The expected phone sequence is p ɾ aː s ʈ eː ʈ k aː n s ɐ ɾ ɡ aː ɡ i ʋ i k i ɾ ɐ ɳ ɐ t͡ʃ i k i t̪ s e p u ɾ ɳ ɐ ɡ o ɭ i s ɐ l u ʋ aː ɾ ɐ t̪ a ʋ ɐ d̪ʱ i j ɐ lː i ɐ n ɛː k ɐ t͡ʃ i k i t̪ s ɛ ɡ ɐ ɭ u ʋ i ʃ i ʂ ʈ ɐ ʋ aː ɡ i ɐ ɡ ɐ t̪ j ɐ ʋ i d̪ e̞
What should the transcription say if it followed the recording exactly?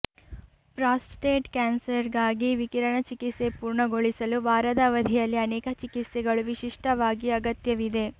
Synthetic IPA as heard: p ɾ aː s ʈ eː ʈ k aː n s ɐ ɾ ɡ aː ɡ i ʋ i k i ɾ ɐ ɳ ɐ t͡ʃ i k i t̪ s e p uː ɾ ɳ ɐ ɡ o ɭ i s ɐ l u ʋ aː ɾ ɐ d̪ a ʋ ɐ d̪ʱ i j ɐ lː i ɐ n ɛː k ɐ t͡ʃ i k i t̪ s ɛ ɡ ɐ ɭ u ʋ i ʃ i ʂ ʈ ɐ ʋ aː ɡ i ɐ ɡ ɐ t̪ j ɐ ʋ i d̪ e̞